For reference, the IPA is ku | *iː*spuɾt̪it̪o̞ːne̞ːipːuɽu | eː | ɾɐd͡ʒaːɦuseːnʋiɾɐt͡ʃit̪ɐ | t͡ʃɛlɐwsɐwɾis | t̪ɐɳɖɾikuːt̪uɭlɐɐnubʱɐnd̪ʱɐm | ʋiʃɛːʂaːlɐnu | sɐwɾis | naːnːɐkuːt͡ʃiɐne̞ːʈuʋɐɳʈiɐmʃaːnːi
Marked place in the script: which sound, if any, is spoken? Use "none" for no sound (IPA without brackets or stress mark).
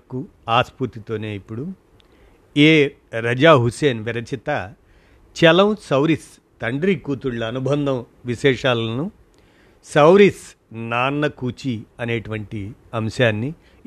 aː